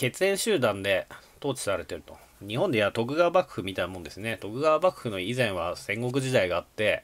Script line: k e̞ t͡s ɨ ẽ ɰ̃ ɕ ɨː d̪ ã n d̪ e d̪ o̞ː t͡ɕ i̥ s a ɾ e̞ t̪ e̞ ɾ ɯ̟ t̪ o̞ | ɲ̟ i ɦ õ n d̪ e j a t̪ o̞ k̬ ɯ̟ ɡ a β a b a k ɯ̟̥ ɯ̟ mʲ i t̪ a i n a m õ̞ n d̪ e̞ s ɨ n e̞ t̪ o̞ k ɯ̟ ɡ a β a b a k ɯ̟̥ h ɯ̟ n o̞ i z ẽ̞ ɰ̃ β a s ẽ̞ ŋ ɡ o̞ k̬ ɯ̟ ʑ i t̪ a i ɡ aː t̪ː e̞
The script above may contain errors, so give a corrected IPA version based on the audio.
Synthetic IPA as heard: k e̞ t͡s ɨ ẽ ɰ̃ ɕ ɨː d̪ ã n d̪ e t̪ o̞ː t͡ɕ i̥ s a ɾ e̞ t̪ e̞ ɾ ɯ̟ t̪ o̞ | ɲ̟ i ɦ õ n d̪ e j a t̪ o̞ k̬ ɯ̟ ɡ a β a b a k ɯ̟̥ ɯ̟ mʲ i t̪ a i n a m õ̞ n d̪ e̞ s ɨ n e̞ t̪ o̞ k ɯ̟ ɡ a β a b a k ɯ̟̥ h ɯ̟ n o̞ i z ẽ̞ ɰ̃ β a s ẽ̞ ŋ ɡ o̞ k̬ ɯ̟ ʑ i d̪ a i ɡ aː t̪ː e̞